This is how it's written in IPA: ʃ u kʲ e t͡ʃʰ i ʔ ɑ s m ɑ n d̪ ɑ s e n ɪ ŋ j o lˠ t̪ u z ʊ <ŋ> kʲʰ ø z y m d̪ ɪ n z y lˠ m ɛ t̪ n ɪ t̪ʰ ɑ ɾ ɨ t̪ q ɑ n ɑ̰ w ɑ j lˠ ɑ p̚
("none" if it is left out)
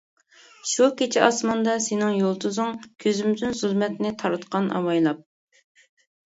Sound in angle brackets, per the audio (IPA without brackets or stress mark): ŋ